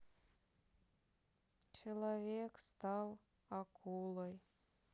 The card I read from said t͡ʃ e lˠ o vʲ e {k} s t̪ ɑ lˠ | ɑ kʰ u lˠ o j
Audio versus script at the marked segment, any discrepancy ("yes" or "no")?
no